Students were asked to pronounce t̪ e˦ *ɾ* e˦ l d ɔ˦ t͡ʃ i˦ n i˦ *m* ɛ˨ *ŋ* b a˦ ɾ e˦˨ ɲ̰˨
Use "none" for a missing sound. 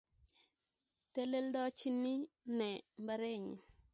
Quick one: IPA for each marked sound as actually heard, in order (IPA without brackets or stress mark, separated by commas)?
l, n, m